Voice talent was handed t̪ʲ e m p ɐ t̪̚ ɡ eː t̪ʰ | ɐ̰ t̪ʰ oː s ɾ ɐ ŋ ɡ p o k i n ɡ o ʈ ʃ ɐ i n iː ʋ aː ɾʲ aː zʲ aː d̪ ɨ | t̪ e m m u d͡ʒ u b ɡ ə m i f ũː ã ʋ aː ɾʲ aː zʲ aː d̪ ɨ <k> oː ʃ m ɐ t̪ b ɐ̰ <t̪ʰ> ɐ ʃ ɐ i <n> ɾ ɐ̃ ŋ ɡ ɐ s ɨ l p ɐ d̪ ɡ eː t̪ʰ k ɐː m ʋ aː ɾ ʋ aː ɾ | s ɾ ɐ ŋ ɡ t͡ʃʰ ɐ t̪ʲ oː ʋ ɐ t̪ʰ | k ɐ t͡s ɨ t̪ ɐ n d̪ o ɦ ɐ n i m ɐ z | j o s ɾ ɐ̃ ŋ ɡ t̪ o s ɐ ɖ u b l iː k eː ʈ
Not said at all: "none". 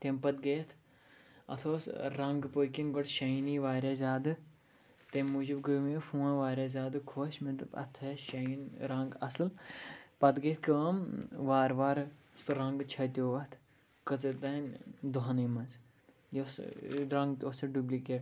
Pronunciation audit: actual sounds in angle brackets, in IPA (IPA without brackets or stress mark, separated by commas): kʰ, t̪ʰ, n